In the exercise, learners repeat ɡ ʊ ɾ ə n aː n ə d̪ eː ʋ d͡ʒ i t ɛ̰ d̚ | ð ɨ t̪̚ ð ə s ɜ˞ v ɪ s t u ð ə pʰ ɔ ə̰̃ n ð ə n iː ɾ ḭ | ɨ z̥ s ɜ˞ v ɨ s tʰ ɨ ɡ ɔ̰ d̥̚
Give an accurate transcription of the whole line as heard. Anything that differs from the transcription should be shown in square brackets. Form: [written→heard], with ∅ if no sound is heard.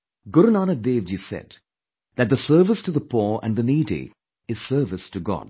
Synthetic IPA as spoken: ɡ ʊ ɾ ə n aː n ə d̪ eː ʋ d͡ʒ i [t→s] ɛ̰ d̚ | ð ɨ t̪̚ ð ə s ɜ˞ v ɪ s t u ð ə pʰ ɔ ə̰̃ n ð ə n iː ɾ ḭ | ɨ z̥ s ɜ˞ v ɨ s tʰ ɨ ɡ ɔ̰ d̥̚